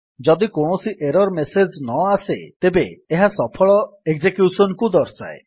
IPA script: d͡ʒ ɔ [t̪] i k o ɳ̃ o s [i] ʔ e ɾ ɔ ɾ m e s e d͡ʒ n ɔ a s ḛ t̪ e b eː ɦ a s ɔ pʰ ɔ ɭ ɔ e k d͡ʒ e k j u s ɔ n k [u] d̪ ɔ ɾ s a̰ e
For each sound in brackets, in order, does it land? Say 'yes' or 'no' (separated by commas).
no, yes, yes